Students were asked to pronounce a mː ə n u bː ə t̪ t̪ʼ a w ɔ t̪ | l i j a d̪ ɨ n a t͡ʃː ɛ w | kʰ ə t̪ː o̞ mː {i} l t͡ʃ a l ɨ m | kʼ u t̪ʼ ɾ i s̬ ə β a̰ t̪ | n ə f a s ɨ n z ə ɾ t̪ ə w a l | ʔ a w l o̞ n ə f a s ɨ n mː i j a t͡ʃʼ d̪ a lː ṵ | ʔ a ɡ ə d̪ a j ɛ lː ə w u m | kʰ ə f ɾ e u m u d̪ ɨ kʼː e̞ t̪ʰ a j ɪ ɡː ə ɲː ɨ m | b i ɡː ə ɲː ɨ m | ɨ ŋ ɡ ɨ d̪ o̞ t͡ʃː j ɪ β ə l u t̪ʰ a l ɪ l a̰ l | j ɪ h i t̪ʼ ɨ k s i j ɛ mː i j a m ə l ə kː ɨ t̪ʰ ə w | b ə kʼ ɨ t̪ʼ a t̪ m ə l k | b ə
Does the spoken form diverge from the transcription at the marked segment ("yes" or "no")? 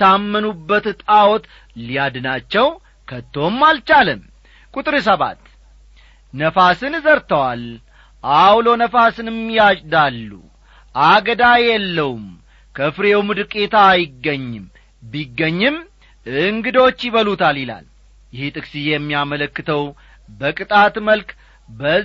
yes